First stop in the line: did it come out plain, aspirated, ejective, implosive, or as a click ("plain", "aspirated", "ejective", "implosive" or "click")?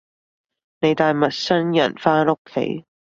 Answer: plain